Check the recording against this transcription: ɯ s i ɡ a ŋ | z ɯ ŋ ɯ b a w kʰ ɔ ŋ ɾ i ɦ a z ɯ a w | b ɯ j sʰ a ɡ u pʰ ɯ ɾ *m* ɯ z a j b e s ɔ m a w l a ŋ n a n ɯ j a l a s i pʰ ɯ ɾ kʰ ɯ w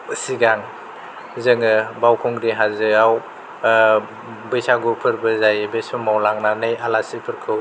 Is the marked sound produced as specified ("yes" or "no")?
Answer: no